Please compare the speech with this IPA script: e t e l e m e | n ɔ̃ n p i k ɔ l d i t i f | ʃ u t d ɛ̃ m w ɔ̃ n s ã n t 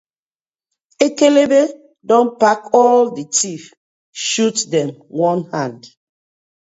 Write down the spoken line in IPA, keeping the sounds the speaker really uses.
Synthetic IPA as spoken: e k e l e b e | d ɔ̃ n p a k ɔ l d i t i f | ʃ u t d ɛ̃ m w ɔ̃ n h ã n d

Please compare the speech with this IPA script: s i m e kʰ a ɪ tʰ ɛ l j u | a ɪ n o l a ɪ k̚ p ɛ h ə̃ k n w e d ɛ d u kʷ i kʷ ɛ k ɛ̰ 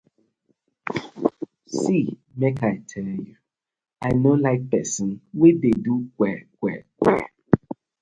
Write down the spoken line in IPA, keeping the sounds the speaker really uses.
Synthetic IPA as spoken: s i m e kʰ a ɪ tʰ ɛ l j u | a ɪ n o l a ɪ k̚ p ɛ s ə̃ n w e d e d u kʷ ɛ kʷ ɛ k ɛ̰

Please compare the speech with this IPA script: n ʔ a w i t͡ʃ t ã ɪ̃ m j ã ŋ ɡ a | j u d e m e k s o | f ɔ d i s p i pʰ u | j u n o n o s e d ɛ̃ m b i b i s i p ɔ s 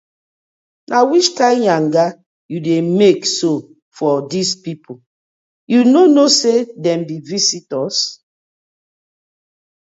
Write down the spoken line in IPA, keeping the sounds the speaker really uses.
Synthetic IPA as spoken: n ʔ a w i t͡ʃ t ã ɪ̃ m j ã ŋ ɡ a | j u d e m e k s o | f ɔ d i s p i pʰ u | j u n o n o s e d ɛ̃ m b i v i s i t ɔ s

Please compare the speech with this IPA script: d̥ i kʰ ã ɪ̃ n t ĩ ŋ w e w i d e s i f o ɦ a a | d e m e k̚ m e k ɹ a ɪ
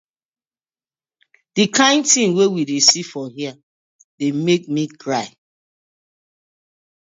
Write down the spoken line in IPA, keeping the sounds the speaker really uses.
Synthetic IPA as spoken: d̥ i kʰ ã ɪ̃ n t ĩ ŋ w e w i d e s i f ɔ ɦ i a | d e m e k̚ m i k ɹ a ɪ

